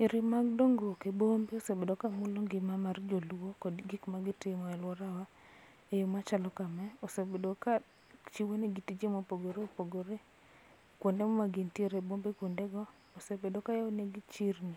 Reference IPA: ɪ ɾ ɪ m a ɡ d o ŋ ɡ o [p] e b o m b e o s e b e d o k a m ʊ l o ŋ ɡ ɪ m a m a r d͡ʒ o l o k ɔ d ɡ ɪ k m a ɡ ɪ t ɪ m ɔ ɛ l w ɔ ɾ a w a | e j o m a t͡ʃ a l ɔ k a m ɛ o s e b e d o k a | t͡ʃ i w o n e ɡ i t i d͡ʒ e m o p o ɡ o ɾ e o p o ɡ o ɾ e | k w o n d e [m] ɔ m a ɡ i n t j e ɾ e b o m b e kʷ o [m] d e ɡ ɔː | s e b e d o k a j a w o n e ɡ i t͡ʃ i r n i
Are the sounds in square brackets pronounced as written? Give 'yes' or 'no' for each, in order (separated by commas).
no, yes, no